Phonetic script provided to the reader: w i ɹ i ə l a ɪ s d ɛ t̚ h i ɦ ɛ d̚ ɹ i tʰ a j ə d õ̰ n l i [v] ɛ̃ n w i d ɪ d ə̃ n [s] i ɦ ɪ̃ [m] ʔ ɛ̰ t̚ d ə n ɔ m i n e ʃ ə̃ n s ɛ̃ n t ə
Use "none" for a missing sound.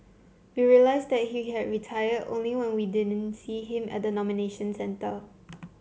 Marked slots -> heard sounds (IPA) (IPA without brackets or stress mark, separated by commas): w, s, m